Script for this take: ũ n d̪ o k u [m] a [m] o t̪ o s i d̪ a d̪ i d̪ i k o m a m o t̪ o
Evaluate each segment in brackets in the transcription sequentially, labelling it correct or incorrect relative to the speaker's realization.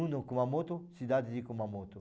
correct, correct

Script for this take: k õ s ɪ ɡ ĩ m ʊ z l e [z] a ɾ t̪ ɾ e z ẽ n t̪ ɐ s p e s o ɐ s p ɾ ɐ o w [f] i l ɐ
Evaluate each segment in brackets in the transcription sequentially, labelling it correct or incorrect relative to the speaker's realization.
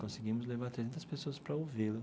incorrect, incorrect

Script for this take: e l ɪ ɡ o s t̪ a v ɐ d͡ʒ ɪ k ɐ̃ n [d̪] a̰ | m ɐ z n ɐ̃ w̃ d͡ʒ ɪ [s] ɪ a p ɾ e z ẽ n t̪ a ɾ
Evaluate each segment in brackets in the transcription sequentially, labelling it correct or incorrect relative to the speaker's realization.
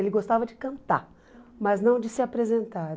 incorrect, correct

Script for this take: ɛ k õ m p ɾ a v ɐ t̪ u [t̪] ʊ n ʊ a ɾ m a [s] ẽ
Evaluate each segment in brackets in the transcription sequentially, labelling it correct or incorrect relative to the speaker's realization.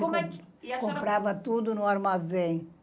incorrect, incorrect

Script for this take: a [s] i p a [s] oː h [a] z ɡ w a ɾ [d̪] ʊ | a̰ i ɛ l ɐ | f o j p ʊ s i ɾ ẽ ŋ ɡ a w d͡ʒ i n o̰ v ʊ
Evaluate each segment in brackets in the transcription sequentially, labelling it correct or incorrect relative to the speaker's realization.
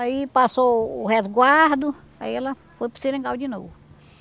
incorrect, correct, incorrect, correct

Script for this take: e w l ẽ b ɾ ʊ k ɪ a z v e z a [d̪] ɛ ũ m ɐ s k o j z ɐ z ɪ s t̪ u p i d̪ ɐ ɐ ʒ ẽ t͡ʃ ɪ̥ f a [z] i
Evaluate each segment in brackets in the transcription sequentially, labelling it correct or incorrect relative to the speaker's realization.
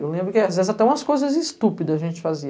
incorrect, correct

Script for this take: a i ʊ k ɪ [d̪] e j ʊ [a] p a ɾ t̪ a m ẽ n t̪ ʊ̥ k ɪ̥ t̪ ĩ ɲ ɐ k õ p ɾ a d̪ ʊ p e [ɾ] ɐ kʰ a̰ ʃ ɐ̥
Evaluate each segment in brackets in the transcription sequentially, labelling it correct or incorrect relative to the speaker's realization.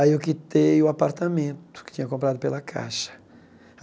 incorrect, correct, incorrect

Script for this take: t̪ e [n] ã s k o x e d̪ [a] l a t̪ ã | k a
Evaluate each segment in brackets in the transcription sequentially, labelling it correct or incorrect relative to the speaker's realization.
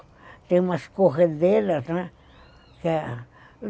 incorrect, incorrect

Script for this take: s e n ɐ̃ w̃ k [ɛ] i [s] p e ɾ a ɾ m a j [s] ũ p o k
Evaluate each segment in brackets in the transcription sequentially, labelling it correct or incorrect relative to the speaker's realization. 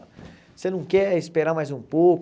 correct, correct, incorrect

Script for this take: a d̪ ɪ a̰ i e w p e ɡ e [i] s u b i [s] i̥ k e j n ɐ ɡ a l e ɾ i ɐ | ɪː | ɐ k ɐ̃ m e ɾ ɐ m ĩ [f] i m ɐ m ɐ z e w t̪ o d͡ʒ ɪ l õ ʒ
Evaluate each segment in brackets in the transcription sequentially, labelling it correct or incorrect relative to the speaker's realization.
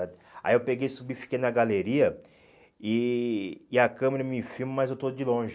incorrect, incorrect, correct

